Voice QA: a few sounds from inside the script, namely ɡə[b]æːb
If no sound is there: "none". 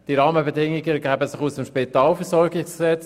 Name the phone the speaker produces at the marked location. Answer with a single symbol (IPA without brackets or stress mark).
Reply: ɡ